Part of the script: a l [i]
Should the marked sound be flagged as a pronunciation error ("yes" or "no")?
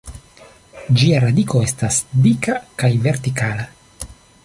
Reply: yes